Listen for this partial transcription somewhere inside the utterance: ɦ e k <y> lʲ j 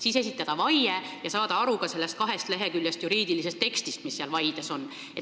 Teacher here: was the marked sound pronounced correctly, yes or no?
yes